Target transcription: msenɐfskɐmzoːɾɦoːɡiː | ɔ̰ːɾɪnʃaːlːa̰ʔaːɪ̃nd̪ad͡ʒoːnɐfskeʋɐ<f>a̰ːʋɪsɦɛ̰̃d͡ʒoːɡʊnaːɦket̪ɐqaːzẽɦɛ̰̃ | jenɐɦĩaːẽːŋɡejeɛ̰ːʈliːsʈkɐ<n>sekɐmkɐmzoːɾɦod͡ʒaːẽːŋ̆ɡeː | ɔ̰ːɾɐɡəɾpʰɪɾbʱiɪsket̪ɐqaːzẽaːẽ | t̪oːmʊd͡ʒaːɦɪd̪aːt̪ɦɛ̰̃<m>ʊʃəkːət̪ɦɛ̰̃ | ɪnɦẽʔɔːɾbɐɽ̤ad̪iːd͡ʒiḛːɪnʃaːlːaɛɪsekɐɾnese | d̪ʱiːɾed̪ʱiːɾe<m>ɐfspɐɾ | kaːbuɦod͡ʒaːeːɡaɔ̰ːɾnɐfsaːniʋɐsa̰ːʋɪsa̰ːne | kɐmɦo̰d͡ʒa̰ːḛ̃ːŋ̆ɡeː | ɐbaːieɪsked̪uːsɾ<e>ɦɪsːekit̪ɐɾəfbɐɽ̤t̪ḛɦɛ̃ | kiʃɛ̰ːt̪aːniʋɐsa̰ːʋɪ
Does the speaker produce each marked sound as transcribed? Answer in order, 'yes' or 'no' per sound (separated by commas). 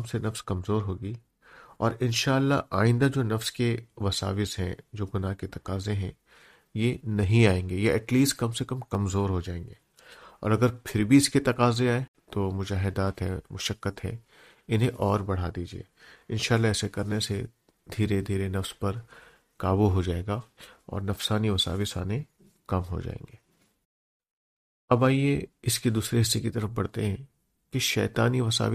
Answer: no, no, yes, no, yes